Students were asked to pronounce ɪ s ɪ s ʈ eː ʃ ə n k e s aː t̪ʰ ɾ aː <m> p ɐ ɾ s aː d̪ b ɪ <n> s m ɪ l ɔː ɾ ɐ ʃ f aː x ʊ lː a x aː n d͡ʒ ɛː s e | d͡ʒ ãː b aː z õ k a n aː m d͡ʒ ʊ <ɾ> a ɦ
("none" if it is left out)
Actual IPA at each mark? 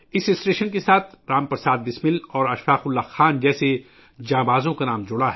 m, none, ɽ

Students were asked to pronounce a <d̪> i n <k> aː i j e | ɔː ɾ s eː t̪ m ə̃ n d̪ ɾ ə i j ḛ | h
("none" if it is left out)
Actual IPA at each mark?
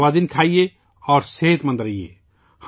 d̪, kʰ

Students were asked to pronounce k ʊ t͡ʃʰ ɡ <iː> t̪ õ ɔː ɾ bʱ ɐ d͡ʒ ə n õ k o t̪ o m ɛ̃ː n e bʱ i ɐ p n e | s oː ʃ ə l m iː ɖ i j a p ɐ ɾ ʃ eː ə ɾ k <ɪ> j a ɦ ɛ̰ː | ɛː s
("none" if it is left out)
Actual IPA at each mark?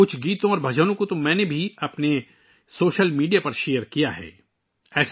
iː, i

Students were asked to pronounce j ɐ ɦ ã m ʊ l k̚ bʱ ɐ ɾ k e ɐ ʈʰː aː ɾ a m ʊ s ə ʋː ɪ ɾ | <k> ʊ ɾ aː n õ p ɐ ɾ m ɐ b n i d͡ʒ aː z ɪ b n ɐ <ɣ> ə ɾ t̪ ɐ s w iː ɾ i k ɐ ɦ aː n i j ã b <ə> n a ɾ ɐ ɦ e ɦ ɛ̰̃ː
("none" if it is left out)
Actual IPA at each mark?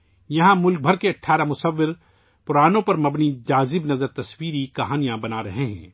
p, z, ɐ

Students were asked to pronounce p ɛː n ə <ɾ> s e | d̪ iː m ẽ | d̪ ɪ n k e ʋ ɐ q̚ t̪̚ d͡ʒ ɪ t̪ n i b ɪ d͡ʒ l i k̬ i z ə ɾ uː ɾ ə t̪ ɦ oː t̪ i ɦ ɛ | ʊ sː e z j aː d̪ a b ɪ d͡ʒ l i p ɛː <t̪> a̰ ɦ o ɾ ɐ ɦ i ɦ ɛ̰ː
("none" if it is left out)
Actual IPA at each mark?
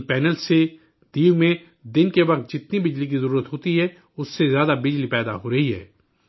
l, d̪

